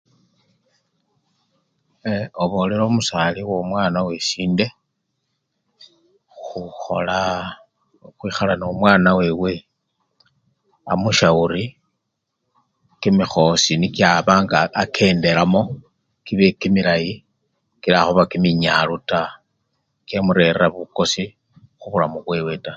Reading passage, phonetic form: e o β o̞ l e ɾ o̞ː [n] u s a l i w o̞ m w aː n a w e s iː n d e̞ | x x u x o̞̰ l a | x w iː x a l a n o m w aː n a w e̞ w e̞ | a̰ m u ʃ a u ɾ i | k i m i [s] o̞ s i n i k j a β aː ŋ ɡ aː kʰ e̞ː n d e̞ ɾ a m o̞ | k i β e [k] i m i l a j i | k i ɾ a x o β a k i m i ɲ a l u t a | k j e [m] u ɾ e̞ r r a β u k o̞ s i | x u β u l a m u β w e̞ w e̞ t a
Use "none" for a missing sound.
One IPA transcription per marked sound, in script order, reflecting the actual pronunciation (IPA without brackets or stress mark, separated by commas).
m, x, k, m